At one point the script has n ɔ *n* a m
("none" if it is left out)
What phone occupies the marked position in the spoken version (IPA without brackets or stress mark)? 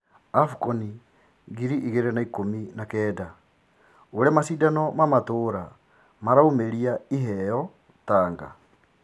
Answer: m